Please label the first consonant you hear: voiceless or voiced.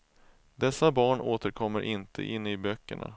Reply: voiced